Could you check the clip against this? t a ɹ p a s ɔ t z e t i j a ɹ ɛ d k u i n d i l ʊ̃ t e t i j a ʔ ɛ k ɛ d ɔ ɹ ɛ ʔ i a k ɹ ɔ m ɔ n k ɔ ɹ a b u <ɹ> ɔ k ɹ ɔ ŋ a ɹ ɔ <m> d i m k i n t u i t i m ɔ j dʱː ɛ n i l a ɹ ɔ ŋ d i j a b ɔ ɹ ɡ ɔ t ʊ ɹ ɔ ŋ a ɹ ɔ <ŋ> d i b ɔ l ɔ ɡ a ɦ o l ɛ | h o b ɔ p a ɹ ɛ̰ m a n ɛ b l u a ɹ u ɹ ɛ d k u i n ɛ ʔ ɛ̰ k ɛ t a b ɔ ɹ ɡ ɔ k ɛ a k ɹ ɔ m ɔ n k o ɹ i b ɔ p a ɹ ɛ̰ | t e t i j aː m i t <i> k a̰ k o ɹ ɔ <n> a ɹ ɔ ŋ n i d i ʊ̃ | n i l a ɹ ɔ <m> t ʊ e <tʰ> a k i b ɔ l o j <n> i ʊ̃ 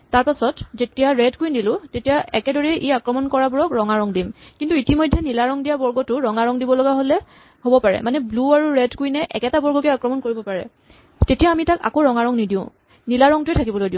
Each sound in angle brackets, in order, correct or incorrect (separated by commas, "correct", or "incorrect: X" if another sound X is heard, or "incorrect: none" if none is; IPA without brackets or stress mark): correct, incorrect: ŋ, correct, incorrect: a, incorrect: ŋ, incorrect: ŋ, correct, incorrect: d